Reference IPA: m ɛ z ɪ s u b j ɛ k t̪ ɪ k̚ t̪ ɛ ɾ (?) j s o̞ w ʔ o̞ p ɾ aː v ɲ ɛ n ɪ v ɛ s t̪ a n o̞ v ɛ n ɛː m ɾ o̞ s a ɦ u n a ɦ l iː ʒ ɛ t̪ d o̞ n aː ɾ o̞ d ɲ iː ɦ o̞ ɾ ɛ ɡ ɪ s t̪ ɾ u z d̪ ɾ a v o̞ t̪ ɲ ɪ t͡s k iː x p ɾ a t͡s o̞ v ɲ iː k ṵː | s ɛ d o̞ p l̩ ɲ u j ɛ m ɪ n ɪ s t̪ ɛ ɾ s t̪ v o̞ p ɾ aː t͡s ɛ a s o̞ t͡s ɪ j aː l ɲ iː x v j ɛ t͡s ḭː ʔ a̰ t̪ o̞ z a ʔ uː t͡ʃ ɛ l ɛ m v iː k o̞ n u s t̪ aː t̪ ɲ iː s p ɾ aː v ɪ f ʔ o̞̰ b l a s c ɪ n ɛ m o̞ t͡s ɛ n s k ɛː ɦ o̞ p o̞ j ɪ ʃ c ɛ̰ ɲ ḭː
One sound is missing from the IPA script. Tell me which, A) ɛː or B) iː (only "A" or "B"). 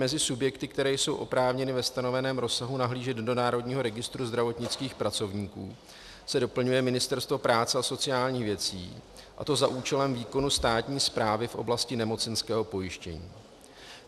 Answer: A